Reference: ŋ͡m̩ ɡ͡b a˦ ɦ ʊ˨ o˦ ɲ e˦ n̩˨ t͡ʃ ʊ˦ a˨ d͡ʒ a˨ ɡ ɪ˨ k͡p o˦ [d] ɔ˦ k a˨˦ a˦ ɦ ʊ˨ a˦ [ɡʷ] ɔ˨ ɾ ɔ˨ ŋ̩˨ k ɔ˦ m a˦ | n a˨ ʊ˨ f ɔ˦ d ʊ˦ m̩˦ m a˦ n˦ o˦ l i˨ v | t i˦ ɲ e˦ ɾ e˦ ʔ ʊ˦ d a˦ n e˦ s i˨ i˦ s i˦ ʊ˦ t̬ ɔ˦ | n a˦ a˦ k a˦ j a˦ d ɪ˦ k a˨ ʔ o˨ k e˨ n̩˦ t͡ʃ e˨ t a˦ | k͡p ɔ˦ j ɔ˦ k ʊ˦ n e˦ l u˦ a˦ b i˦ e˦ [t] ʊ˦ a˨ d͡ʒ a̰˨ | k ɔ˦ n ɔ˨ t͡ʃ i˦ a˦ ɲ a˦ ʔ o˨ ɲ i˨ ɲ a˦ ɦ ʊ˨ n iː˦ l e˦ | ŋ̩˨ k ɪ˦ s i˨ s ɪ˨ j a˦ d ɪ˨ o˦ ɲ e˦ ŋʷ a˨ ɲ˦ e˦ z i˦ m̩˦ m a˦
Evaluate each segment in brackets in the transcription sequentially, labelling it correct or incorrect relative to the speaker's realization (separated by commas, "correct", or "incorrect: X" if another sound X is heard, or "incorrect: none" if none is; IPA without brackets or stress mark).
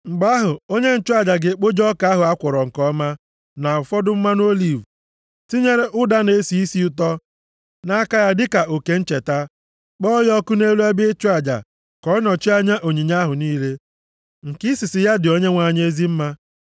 incorrect: d͡ʒ, incorrect: kʷ, incorrect: t͡ʃ